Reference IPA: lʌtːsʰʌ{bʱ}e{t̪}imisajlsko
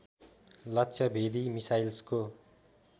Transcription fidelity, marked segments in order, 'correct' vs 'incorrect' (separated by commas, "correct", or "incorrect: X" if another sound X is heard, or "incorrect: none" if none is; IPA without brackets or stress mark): correct, incorrect: d̪